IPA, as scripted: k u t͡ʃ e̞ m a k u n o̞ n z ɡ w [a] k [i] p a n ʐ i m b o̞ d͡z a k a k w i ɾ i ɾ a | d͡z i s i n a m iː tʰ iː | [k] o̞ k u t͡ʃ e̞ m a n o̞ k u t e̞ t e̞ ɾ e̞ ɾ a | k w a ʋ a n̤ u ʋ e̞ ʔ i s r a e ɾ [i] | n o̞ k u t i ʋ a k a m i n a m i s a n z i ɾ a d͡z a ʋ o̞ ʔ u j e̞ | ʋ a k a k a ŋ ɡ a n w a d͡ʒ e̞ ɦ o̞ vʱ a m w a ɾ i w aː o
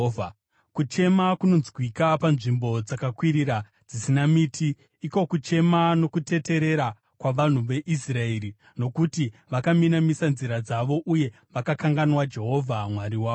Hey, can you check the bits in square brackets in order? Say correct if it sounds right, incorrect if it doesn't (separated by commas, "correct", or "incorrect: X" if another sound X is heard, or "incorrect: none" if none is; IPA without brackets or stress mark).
incorrect: i, incorrect: a, correct, correct